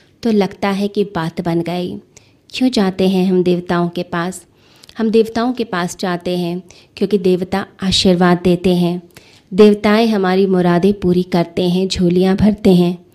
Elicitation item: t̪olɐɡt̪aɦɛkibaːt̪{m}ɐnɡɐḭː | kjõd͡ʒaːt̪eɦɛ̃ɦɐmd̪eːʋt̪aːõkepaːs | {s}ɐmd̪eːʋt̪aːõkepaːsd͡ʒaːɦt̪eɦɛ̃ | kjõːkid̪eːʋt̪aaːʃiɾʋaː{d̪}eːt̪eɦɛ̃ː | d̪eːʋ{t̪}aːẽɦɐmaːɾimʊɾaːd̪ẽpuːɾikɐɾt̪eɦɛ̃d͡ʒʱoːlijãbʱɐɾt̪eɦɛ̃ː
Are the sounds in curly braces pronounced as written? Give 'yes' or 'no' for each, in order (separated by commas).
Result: no, no, no, yes